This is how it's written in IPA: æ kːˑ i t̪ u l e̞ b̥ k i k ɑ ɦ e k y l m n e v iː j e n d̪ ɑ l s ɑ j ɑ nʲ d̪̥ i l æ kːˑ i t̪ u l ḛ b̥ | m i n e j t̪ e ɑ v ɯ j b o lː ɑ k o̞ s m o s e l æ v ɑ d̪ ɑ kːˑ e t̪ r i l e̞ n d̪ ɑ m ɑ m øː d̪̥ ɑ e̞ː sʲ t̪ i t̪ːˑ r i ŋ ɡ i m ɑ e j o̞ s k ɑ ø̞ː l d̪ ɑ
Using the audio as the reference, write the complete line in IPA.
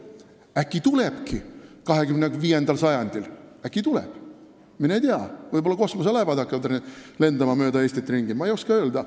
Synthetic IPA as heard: æ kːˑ i t̪ u l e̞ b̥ k i k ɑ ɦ e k y m n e v iː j e n d̪ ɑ l s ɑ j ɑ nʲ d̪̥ i l æ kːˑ i t̪ u l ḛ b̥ | m i n e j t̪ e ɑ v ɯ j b o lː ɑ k o̞ s m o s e l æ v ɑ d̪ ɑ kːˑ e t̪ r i l e̞ n d̪ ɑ m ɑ m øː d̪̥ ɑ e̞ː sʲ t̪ i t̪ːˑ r i ŋ ɡ i m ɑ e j o̞ s k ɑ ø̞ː l d̪ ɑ